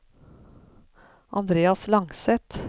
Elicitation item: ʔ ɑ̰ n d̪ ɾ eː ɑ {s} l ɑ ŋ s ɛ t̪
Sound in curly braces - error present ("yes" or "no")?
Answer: no